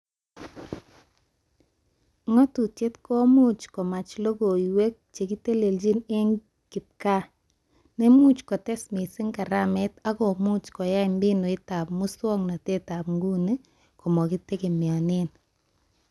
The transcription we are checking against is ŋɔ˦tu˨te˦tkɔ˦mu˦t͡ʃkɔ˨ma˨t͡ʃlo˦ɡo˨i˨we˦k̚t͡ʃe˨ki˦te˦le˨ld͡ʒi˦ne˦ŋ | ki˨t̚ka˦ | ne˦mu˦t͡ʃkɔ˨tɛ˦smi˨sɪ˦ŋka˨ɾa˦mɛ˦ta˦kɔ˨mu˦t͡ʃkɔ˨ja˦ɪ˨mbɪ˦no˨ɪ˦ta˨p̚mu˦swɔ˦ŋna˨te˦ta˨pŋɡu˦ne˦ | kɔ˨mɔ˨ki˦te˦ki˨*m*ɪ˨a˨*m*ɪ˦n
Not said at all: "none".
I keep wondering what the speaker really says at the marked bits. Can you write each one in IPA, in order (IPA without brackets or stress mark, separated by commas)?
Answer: m, n